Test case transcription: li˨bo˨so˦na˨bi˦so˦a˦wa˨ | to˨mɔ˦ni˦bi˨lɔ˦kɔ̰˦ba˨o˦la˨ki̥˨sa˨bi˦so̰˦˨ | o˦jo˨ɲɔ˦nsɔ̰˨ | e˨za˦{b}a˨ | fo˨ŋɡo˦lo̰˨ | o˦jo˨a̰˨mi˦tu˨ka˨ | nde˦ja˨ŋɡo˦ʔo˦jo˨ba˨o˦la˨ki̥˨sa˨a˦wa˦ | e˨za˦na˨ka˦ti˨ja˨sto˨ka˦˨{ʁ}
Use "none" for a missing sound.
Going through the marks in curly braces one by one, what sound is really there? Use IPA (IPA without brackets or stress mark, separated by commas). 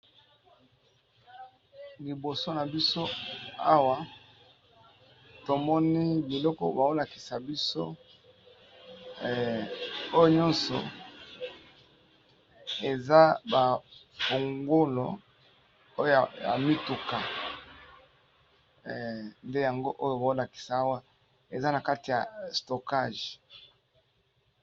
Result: b, ʒ